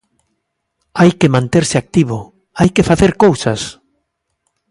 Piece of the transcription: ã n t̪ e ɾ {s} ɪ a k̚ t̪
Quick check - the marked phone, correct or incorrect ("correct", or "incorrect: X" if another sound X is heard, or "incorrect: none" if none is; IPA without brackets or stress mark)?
correct